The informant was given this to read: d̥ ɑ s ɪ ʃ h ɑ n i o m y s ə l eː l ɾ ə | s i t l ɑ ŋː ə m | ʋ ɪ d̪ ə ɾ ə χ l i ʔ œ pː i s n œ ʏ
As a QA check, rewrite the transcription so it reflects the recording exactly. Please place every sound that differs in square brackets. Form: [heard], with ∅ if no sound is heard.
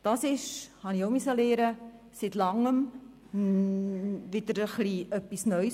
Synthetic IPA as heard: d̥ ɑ s ɪ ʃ h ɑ n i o m y s ə l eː [∅] ɾ ə | s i t l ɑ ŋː ə m | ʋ ɪ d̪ ə ɾ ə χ l i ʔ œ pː i s n œ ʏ